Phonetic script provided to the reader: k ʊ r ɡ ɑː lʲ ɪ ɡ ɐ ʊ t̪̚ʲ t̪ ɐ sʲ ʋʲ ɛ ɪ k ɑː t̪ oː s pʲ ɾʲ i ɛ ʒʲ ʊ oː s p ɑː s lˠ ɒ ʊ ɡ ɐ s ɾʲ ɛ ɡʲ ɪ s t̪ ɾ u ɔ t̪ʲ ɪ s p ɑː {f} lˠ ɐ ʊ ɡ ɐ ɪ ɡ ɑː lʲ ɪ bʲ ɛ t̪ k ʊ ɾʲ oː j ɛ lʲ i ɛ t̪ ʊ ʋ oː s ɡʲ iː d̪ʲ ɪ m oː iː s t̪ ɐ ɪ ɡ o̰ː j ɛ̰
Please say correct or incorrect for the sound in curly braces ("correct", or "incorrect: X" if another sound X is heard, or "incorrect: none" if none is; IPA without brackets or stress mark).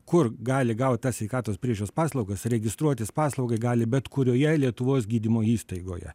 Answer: incorrect: s